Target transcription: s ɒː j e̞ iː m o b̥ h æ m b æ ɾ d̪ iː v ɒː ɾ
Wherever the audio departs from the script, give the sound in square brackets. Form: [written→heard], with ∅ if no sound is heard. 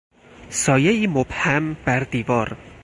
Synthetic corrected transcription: s ɒː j e̞ iː m o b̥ h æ m b æ ɾ d̪ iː v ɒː ɾ